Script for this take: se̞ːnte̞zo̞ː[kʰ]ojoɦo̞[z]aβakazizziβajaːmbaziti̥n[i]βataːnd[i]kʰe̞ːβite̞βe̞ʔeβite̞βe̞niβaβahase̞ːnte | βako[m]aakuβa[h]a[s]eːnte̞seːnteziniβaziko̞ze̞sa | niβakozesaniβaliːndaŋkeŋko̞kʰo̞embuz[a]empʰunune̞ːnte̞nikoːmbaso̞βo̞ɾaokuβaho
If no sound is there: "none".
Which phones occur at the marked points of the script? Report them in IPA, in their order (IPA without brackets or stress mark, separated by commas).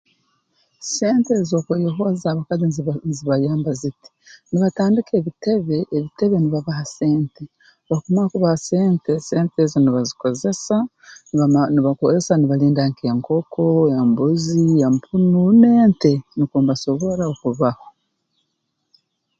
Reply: k, z, i, i, m, h, s, i